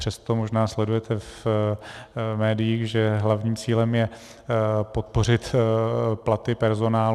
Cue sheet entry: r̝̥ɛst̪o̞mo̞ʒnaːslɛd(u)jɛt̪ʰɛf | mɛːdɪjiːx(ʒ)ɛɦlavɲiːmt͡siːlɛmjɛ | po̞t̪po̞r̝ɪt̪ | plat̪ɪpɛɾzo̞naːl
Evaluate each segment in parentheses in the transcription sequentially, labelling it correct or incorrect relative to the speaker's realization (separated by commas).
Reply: correct, correct